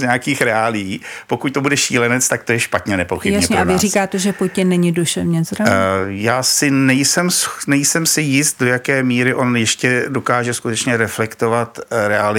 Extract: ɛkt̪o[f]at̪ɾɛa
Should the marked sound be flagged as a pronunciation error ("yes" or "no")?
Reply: yes